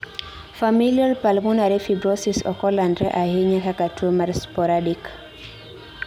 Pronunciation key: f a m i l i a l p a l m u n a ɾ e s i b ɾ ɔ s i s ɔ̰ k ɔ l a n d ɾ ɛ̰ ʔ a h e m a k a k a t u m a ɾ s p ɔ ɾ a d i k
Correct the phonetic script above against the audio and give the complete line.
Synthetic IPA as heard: f a m i l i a l p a l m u n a ɾ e f i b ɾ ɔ s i s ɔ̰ k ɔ l a n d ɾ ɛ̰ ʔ a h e ɲ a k a k a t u m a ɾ s p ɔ ɾ a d i k